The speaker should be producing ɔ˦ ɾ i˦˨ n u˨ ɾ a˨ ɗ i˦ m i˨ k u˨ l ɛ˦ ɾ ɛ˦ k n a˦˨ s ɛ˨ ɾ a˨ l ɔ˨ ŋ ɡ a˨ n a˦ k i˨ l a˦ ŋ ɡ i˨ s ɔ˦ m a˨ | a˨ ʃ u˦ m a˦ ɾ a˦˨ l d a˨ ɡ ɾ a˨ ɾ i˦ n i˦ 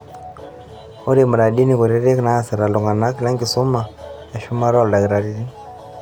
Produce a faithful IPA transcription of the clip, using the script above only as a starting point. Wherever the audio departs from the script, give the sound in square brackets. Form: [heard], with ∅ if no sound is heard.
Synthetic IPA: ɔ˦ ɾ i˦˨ [m] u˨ ɾ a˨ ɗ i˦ [n] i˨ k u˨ [ɾ] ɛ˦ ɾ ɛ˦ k n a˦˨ s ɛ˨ ɾ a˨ l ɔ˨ ŋ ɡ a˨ n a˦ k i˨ l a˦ ŋ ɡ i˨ s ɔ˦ m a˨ | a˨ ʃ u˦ m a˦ ɾ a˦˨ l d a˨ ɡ ɾ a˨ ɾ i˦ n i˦